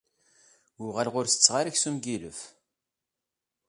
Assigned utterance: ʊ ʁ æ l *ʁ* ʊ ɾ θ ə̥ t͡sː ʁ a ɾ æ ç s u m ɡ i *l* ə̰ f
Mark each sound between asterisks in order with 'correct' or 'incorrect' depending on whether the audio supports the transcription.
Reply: correct, correct

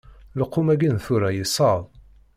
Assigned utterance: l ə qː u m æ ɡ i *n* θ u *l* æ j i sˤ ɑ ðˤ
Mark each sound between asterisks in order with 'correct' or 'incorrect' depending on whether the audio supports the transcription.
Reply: correct, incorrect: ɾ

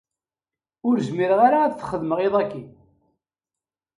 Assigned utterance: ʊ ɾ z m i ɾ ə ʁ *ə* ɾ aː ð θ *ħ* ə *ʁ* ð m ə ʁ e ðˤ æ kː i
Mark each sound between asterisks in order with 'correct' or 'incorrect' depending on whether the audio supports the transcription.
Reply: incorrect: a, incorrect: χ, incorrect: none

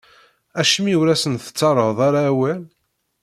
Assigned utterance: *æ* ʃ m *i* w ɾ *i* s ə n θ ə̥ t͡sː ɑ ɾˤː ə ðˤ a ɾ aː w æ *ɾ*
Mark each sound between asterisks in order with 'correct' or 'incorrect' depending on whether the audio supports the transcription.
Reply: correct, correct, incorrect: æ, incorrect: l

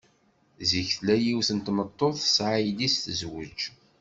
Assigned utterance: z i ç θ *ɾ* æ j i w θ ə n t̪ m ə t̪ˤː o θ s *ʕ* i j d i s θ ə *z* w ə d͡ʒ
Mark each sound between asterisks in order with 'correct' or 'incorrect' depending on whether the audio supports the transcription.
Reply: incorrect: l, correct, correct

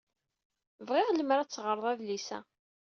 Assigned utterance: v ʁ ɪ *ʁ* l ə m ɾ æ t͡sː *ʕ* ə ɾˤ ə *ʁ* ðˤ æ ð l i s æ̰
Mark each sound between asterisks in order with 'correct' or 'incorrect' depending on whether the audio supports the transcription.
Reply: correct, incorrect: ʁ, incorrect: none

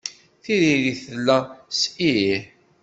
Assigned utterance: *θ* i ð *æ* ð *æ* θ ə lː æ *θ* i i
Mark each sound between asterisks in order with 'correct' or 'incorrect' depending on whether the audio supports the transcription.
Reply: correct, incorrect: i, incorrect: i, incorrect: s

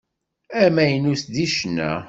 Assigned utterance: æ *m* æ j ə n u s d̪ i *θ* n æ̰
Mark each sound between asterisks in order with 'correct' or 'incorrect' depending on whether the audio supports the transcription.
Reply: correct, incorrect: ʃ

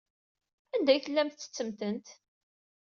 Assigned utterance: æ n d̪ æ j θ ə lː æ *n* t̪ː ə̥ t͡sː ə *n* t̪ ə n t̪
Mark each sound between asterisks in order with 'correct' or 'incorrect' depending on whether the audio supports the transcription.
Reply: incorrect: m, incorrect: m

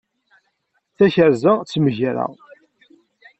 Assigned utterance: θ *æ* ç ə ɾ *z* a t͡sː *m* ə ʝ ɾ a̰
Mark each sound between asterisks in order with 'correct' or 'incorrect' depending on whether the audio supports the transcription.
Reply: correct, correct, correct

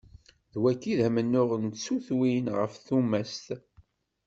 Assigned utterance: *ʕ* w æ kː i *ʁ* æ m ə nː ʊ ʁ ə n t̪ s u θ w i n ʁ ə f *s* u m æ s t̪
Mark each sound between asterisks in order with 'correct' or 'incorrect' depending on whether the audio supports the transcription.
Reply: incorrect: ð, incorrect: ð, incorrect: θ

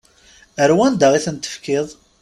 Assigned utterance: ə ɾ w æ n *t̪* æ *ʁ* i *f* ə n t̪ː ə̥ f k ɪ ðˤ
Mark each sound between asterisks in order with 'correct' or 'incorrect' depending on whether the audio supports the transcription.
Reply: incorrect: d̪, correct, incorrect: θ

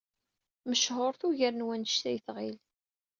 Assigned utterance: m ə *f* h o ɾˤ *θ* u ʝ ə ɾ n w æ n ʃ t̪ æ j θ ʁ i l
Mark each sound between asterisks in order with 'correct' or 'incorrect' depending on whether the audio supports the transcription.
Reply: incorrect: ʃ, correct

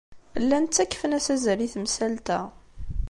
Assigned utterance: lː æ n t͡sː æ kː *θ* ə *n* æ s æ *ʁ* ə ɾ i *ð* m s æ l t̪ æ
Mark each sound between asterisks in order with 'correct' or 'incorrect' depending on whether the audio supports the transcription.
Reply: incorrect: f, correct, incorrect: z, incorrect: θ

